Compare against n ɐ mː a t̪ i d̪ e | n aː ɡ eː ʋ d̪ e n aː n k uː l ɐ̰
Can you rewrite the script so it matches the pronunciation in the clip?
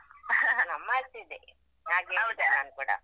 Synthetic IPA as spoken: n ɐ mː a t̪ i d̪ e | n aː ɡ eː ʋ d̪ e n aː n k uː ɽ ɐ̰

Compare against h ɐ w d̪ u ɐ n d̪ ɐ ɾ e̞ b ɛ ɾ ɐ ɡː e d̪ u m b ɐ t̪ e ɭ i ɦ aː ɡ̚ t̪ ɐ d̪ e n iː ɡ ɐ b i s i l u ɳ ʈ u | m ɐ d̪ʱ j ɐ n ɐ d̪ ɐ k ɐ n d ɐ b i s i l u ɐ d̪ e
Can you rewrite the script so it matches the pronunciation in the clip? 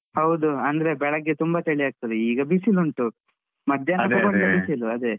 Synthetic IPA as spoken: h ɐ w d̪ u ɐ n d̪ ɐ ɾ e̞ b ɛ ɭ ɐ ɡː e t̪ u m b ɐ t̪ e ɭ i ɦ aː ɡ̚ t̪ ɐ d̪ e iː ɡ ɐ b i s i l u ɳ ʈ u | m ɐ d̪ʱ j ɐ n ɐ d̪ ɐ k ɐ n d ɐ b i s i l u ɐ d̪ e

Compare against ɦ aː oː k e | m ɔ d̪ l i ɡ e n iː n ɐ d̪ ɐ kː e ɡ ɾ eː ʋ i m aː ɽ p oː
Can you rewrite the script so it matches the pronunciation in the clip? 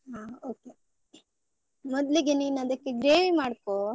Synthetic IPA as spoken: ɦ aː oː k e | m ɔ d̪ l i ɡ e n iː n ɐ d̪ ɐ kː e ɡ ɾ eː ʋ i m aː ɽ k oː

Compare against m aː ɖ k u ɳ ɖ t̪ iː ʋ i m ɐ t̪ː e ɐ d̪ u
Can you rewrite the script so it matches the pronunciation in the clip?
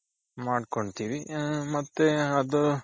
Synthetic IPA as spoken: m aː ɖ k o ɳ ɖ t̪ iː ʋ i m ɐ t̪ː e ɐ d̪ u

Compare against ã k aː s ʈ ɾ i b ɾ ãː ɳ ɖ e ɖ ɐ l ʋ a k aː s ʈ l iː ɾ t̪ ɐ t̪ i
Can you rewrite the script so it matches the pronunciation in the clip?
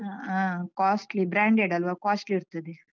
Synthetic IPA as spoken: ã k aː s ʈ l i b ɾ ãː ɳ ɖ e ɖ ɐ l ʋ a k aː s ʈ l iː ɾ t̪ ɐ d̪ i

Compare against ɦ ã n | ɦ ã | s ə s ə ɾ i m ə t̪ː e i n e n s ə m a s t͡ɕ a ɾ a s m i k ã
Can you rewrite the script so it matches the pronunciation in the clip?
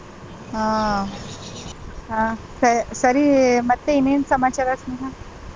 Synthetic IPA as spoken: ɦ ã | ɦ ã | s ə s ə ɾ i m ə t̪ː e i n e n s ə m a t͡ɕ a ɾ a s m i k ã

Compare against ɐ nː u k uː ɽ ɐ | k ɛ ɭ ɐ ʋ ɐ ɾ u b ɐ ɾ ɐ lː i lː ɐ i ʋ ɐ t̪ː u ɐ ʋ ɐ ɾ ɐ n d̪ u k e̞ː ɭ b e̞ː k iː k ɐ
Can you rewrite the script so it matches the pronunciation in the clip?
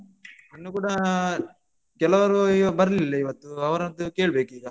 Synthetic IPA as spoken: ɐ nː u k uː ɽ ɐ | k ɛ l ɐ ʋ ɐ ɾ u b ɐ ɾ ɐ l i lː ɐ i ʋ ɐ t̪ː u ɐ ʋ ɐ ɾ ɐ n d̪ u k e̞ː ɭ b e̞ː k iː ɡ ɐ

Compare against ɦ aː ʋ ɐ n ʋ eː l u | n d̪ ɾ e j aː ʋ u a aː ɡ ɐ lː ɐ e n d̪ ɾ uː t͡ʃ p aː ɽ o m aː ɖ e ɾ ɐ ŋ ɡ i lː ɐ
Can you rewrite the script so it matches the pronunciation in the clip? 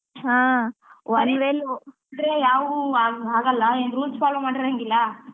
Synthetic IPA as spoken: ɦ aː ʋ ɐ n ʋ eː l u | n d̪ ɾ e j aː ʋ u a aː ɡ ɐ lː ɐ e n d̪ ɾ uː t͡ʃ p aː l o m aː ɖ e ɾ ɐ ŋ ɡ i lː ɐ

